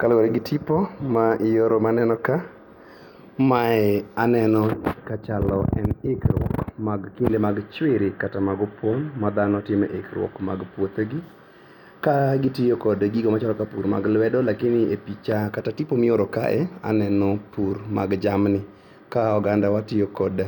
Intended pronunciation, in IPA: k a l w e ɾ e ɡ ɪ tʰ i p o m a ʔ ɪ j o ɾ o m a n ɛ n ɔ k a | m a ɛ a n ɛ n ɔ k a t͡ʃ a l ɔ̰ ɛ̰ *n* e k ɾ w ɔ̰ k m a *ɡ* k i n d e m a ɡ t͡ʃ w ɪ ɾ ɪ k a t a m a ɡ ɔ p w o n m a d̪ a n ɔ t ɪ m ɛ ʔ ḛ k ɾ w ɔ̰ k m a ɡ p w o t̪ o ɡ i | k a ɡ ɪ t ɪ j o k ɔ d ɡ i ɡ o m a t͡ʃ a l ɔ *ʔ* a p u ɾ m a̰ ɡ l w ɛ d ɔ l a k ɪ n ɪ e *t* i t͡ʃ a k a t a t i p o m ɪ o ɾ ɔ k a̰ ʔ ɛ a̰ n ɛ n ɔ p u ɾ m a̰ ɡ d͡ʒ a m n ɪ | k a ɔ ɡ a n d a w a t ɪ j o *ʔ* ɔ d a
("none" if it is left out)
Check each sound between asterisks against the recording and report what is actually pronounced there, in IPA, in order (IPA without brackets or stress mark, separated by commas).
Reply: n, ɡ, k, p, k